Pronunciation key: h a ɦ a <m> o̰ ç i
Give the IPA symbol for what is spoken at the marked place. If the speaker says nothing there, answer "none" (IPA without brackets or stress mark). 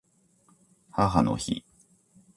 n